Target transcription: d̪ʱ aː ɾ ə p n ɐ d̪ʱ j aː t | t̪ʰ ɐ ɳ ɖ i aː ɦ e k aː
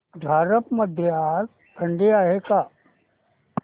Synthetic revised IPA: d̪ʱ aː ɾ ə p m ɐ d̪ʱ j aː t | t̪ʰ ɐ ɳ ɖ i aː ɦ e k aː